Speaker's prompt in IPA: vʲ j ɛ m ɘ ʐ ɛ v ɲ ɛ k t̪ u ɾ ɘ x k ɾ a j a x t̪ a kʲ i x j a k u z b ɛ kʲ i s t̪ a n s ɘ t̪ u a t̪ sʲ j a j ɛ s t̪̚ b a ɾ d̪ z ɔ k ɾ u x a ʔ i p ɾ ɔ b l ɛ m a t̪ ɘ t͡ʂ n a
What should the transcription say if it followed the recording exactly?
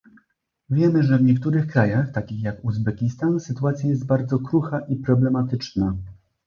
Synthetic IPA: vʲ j ɛ m ɘ ʐ ɛ v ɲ ɛ k t̪ u ɾ ɘ x k ɾ a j a x t̪ a kʲ i x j a k u z b ɛ kʲ i s t̪ a n s ɘ t̪ u a t̪ sʲ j a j ɛ s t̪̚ b a ɾ d̪ z ɔ k ɾ u x a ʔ i p ɾ ɔ b l ɛ m a t̪ ɘ t͡ʂ n a

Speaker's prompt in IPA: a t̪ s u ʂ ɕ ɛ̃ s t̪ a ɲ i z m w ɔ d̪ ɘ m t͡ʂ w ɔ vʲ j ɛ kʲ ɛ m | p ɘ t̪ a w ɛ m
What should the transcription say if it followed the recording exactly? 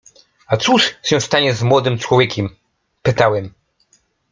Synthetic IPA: a t̪ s u ʂ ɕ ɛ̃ s t̪ a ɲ ɛ z m w ɔ d̪ ɘ m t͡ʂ w ɔ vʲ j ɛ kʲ ɛ m | p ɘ t̪ a w ɛ m

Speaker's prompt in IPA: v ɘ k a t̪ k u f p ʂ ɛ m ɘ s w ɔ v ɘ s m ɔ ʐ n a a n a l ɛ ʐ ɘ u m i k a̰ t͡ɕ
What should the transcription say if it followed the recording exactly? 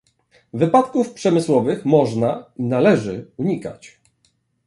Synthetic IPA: v ɘ p a t̪ k u f p ʂ ɛ m ɘ s w ɔ v ɘ x m ɔ ʐ n a i n a l ɛ ʐ ɘ u ɲ i k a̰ t͡ɕ

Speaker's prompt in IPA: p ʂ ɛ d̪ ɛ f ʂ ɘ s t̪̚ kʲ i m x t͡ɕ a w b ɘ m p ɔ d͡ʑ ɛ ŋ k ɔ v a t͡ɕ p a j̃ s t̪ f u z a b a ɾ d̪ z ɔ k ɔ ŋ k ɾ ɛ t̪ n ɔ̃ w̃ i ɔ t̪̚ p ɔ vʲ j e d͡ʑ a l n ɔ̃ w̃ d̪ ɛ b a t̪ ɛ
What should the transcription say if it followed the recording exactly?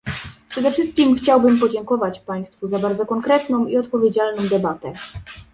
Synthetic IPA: p ʂ ɛ d̪ ɛ f ʂ ɘ s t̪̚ kʲ i m x t͡ɕ a w b ɘ m p ɔ d͡ʑ ɛ ŋ k ɔ v a t͡ɕ p a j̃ s t̪ f u z a b a ɾ d̪ z ɔ k ɔ ŋ k ɾ ɛ t̪ n ɔ̃ w̃ i ɔ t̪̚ p ɔ vʲ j e d͡ʑ a l n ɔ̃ w̃ d̪ ɛ b a t̪ ɛ

